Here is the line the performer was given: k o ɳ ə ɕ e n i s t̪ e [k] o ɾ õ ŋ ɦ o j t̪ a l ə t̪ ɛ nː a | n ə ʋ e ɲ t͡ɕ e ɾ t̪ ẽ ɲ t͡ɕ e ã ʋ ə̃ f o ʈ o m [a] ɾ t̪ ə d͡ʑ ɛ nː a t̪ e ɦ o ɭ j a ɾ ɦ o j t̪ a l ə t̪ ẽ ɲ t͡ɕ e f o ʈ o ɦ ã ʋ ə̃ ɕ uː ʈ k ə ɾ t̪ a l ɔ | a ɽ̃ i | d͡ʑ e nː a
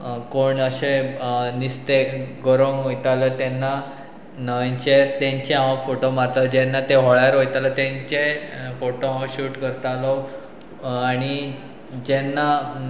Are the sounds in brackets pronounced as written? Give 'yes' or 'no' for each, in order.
no, yes

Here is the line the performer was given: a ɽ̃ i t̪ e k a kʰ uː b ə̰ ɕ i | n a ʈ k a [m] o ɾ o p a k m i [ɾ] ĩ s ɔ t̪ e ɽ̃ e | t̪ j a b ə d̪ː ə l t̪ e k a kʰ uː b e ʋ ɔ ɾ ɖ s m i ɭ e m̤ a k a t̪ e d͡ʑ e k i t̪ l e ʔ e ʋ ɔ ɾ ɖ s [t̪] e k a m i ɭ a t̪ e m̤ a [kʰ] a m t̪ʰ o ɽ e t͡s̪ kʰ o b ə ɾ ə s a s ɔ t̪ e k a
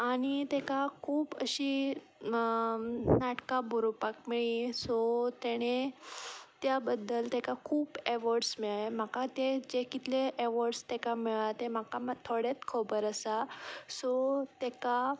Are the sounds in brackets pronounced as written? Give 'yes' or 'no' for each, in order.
no, no, yes, no

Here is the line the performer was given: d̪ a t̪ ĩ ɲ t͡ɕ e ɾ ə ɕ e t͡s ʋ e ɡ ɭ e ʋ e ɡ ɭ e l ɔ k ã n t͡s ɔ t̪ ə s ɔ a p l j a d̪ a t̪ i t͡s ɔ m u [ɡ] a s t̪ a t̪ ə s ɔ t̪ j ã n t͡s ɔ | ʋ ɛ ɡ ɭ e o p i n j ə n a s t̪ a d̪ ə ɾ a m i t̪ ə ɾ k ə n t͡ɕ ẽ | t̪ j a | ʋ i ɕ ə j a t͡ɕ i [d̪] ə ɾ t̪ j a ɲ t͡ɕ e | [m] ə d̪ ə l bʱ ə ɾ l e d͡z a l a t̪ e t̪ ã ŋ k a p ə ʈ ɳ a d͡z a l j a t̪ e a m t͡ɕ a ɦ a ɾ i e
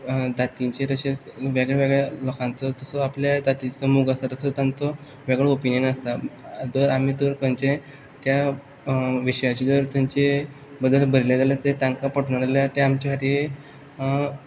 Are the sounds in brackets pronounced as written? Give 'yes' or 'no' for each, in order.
yes, yes, no

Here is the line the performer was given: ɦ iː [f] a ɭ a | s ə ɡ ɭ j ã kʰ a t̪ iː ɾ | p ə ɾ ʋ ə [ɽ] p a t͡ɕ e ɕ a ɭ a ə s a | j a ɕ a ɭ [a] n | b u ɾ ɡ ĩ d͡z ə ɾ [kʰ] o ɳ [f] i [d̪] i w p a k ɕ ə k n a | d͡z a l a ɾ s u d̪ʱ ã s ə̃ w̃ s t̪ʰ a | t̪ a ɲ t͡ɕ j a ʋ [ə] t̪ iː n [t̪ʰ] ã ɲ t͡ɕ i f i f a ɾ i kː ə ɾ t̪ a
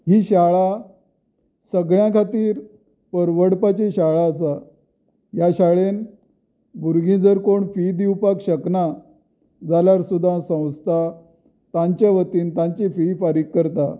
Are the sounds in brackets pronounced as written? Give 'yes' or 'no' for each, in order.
no, yes, no, no, yes, yes, yes, no

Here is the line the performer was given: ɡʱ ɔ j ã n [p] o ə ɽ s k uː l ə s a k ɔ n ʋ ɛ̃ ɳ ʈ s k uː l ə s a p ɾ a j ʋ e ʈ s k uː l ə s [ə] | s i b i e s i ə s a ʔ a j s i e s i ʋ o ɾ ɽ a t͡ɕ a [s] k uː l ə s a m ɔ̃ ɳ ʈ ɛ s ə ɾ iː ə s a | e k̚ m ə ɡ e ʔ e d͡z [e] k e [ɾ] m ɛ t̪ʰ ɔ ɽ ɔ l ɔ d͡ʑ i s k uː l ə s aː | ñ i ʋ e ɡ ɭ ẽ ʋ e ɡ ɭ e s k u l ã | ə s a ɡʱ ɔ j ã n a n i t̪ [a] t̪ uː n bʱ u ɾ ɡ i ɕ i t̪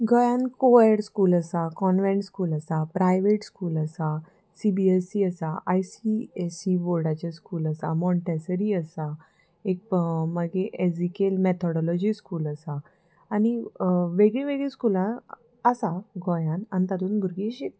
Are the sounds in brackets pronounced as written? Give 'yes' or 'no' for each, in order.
no, no, yes, no, no, yes

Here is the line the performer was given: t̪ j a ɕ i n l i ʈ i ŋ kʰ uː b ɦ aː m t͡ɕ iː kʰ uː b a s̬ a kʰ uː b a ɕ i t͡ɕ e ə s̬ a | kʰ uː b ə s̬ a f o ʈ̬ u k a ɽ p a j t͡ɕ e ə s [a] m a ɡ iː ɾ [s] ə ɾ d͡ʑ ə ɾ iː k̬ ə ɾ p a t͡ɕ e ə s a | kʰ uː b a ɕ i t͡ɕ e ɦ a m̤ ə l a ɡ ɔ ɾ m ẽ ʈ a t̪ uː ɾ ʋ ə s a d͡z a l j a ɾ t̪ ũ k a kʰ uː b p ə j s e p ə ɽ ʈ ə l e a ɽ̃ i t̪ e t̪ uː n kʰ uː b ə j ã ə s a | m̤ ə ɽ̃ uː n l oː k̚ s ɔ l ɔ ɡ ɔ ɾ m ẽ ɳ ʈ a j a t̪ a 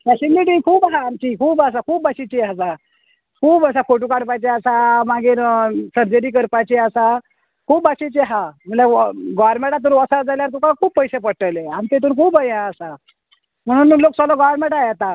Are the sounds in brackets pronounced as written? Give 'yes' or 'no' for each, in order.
yes, yes

